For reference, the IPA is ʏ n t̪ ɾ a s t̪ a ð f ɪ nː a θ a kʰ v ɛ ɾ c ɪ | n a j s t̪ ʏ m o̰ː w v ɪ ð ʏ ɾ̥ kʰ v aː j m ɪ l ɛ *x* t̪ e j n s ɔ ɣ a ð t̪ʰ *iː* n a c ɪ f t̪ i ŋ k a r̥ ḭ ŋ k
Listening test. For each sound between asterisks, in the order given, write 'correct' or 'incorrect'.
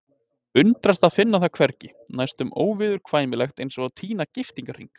correct, correct

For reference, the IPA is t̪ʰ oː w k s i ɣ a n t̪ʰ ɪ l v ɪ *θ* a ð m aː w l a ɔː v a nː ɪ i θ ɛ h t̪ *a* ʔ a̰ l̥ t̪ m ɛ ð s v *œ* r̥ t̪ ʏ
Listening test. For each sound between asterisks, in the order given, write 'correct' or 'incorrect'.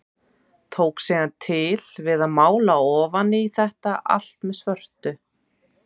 incorrect, correct, correct

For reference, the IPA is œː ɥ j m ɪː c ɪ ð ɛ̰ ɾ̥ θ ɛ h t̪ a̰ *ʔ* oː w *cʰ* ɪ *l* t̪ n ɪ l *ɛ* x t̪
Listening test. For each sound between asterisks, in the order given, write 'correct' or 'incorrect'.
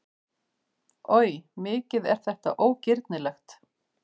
correct, incorrect, incorrect, correct

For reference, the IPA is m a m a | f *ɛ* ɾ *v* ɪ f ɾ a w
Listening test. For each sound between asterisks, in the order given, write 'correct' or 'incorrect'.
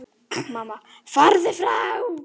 incorrect, incorrect

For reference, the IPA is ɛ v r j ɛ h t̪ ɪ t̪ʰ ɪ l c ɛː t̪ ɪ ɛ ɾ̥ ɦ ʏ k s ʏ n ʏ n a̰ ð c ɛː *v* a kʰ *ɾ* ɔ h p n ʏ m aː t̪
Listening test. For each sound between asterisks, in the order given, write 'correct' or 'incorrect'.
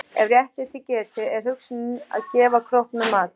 correct, correct

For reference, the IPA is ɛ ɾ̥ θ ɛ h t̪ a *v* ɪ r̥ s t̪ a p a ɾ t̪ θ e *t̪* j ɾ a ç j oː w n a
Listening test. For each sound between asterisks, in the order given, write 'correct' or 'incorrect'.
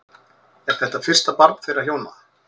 incorrect, incorrect

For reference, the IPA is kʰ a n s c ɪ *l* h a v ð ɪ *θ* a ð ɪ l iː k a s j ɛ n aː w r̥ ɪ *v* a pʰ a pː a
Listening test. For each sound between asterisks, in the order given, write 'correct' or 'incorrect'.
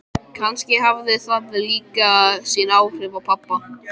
incorrect, correct, correct

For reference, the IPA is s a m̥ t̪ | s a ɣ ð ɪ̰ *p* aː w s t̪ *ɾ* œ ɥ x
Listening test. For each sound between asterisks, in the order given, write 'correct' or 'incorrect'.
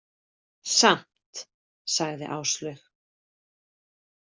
incorrect, incorrect

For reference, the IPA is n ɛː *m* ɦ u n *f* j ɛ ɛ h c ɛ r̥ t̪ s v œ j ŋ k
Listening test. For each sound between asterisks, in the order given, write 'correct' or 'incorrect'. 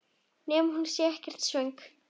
correct, incorrect

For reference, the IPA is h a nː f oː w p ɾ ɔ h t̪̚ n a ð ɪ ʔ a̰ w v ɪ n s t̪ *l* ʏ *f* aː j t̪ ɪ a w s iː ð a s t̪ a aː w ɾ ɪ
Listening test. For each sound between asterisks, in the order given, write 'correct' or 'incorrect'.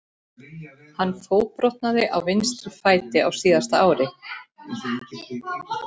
incorrect, correct

